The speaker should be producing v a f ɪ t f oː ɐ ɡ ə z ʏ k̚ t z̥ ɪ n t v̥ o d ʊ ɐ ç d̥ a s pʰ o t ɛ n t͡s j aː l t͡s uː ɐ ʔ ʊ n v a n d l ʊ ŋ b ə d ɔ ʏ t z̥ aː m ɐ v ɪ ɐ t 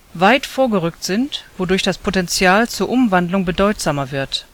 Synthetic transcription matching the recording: v a ɪ t f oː ɐ ɡ ə ʁ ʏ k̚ t z̥ ɪ n t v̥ o d ʊ ɐ ç d̥ a s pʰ o t ɛ n t͡s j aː l t͡s uː ɐ ʔ ʊ m v a n d l ʊ ŋ b ə d ɔ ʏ t z̥ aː m ɐ v ɪ ɐ t